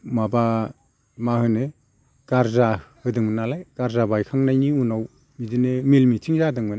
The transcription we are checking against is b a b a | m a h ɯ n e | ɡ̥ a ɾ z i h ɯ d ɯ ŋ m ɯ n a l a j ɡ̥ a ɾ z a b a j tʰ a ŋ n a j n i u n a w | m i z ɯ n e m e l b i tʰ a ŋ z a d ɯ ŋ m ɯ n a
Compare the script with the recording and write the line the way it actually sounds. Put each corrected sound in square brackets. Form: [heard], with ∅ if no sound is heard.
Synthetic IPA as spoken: [m] a b a | m a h ɯ n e | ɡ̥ a ɾ z [a] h ɯ d ɯ ŋ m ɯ n a l a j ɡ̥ a ɾ z a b a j [kʰ] a ŋ n a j n i u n a w | m i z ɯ n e m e l [m] i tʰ [i] ŋ z a d ɯ ŋ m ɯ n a